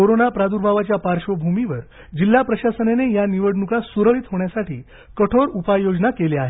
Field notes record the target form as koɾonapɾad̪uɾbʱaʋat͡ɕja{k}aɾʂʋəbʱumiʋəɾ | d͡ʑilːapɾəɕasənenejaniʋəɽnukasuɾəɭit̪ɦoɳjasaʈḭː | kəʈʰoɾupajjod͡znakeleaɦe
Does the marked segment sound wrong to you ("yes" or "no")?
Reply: yes